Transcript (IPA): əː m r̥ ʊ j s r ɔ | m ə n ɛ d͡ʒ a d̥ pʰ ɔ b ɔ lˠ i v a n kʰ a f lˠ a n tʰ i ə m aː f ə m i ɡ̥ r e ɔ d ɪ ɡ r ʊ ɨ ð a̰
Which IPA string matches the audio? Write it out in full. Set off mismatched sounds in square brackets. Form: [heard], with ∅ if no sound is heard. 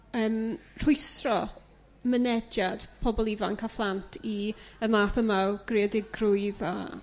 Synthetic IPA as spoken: əː m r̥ ʊ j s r ɔ | m ə n ɛ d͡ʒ a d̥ pʰ ɔ b ɔ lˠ i v a n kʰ a f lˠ a n tʰ i ə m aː [θ] ə m [a] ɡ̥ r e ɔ d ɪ ɡ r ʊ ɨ ð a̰